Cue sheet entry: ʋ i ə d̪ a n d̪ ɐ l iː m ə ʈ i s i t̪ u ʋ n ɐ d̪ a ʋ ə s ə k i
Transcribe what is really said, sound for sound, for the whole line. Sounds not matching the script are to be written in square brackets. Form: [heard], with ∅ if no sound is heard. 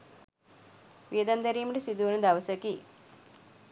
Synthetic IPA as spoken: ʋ i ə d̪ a n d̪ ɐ [ɾ] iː m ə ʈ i s i [d̪] u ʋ n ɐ d̪ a ʋ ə s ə k i